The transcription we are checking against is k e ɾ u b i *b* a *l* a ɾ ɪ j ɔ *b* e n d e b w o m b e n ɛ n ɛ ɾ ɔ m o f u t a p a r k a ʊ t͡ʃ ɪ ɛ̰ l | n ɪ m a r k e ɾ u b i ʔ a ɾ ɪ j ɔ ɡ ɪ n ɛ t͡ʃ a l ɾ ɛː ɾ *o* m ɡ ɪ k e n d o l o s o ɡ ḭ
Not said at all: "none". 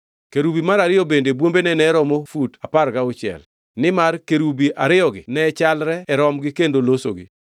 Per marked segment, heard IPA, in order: m, ɾ, b, ɔ

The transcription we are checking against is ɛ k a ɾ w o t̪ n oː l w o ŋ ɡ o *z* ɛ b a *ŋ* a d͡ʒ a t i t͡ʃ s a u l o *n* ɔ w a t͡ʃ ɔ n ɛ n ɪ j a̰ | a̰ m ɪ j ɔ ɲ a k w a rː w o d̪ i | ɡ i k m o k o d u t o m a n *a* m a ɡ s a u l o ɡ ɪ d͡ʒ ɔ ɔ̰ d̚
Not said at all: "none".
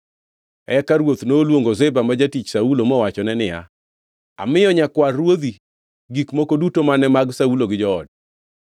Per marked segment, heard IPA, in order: z, m, m, ɛ

